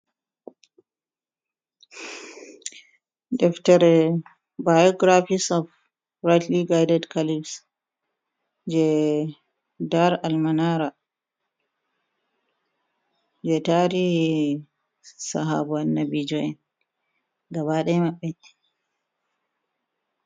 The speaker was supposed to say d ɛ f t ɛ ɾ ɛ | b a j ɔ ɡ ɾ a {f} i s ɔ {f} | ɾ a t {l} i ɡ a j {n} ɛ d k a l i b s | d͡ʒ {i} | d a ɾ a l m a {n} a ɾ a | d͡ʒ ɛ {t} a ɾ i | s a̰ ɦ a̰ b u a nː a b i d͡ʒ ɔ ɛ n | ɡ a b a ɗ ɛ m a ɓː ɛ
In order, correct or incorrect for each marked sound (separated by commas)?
correct, correct, correct, incorrect, incorrect, correct, correct